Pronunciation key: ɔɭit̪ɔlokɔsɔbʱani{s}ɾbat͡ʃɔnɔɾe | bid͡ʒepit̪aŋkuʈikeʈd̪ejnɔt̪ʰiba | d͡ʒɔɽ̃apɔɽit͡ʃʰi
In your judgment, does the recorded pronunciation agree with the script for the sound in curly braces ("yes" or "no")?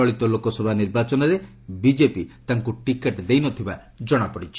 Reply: no